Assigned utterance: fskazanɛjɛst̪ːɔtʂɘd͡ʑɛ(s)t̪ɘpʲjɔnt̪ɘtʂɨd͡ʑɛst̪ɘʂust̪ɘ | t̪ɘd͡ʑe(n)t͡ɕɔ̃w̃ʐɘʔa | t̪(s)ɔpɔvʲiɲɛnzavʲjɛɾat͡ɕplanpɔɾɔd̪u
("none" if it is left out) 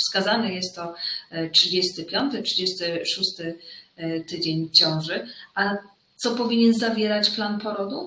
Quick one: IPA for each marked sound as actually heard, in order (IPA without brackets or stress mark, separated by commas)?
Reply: s, ɲ, s